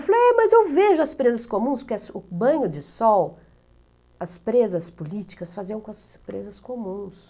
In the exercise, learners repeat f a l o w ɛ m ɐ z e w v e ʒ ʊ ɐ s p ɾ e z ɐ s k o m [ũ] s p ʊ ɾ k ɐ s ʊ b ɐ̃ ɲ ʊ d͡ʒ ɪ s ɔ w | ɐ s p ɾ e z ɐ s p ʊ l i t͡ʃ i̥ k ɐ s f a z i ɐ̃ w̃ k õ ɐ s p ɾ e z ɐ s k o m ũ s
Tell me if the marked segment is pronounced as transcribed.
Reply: yes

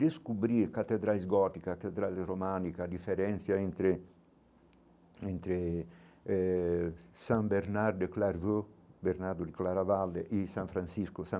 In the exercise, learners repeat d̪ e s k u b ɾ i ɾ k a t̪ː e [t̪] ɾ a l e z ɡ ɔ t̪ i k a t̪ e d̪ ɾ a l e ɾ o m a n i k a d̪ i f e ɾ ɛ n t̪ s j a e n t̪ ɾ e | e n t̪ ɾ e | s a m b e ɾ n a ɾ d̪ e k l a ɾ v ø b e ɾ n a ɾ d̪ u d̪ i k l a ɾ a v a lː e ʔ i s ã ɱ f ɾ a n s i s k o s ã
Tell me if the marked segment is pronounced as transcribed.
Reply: no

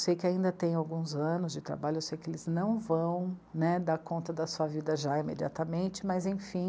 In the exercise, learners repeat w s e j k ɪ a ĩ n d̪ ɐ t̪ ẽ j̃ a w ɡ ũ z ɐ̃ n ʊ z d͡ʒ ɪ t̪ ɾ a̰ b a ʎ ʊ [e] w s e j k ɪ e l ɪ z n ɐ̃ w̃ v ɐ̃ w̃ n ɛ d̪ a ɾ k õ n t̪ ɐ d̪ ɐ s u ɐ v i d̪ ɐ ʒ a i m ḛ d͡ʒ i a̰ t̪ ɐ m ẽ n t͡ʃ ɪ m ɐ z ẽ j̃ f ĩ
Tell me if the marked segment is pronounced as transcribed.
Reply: yes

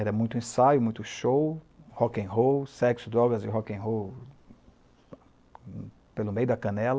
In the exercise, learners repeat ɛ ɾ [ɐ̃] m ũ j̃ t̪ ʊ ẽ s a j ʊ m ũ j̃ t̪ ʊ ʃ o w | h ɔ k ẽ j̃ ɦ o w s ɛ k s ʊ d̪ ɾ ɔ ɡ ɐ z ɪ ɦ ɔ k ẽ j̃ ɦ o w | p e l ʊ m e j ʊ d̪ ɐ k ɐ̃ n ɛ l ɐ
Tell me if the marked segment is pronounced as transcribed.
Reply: no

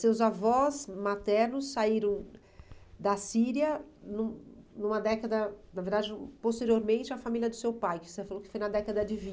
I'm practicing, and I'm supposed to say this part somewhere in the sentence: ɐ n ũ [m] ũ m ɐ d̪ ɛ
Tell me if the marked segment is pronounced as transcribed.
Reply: no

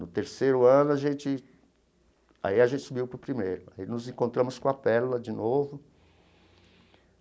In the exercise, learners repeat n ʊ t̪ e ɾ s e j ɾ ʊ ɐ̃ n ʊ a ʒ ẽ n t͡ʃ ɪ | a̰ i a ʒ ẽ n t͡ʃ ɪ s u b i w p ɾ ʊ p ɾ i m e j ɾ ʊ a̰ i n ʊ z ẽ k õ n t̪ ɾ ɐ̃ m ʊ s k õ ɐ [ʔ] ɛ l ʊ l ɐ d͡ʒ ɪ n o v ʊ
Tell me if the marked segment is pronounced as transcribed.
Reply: no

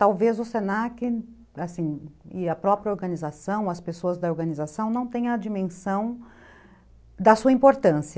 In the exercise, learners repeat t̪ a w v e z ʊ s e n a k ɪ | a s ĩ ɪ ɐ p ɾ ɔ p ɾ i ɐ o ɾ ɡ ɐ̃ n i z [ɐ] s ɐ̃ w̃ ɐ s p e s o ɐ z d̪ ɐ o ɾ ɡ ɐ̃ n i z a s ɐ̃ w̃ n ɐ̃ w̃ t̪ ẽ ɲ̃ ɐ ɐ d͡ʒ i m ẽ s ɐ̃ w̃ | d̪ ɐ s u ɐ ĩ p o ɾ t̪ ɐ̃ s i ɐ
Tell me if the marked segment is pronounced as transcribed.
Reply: no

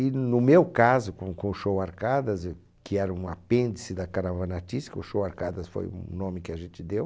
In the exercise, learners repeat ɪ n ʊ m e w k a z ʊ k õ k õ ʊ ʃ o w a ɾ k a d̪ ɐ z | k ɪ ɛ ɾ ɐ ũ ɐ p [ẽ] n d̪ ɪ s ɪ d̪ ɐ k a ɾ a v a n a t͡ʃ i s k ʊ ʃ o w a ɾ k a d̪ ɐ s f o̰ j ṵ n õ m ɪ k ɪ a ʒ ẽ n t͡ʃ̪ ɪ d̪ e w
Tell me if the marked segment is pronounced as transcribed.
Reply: yes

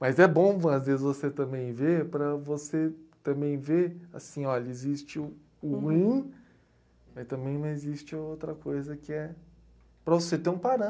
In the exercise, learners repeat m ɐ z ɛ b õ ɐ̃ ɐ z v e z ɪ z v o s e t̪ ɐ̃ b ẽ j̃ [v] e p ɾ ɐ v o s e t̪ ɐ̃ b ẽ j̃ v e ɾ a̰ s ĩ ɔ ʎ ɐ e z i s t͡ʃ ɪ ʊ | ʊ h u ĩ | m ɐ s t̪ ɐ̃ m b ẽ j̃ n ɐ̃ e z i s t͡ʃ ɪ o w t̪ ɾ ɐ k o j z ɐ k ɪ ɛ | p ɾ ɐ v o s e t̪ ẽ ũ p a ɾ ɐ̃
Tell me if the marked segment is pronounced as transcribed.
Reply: yes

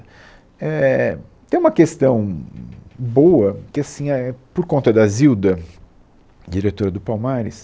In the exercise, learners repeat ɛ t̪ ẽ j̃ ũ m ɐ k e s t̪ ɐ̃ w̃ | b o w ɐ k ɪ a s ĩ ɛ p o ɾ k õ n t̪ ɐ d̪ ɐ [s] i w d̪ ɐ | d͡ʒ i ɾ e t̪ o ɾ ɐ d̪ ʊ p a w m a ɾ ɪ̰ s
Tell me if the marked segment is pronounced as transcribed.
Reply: no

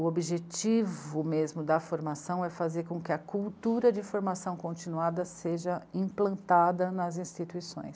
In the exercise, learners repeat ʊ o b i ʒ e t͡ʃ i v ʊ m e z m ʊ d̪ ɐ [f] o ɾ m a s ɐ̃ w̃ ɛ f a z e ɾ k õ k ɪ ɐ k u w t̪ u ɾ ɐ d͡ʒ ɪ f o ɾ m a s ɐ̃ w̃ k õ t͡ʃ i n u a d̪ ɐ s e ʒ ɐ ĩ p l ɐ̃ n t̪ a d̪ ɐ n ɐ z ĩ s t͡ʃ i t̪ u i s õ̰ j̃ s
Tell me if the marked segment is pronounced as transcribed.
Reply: yes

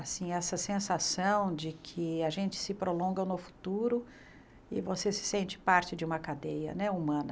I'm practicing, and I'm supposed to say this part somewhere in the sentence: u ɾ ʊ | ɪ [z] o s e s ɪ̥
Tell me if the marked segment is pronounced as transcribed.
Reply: no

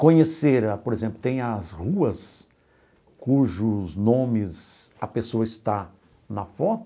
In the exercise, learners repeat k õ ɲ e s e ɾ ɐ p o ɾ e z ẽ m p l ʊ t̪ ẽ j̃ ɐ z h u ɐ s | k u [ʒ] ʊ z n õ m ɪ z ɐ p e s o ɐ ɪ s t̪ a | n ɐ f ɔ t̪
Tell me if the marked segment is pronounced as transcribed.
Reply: yes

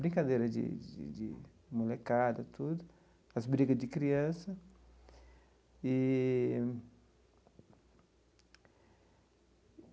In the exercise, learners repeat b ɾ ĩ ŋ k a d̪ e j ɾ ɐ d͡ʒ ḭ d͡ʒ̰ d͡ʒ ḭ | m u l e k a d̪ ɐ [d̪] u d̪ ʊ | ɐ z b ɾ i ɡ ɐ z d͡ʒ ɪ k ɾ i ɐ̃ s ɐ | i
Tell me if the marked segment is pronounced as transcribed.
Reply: no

